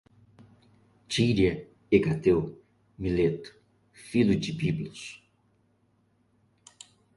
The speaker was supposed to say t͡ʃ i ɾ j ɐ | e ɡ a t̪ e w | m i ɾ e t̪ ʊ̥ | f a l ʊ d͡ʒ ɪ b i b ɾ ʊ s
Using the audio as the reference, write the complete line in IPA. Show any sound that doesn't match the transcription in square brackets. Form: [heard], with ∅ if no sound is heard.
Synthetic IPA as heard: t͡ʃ i ɾ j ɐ | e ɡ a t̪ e w | m i [l] e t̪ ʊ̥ | f [i] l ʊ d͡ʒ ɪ b i b [l] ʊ s